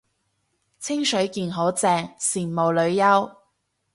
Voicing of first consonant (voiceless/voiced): voiceless